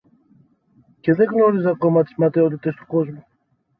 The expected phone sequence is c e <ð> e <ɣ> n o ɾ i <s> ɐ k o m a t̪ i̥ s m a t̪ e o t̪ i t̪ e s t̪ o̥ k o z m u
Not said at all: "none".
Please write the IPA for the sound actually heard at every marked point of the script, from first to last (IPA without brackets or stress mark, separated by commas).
ð, ɣ, z